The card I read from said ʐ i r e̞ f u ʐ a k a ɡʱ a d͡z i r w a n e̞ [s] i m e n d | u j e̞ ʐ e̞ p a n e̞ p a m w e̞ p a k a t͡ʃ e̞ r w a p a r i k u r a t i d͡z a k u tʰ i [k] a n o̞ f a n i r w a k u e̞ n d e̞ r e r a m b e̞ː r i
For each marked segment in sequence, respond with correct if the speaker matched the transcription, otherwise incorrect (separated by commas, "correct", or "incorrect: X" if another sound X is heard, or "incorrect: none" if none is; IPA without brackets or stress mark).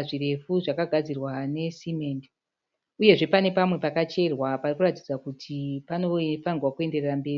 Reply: correct, incorrect: p